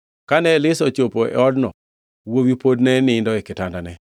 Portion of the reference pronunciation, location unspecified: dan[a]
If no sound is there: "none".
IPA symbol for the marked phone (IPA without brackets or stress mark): ɛ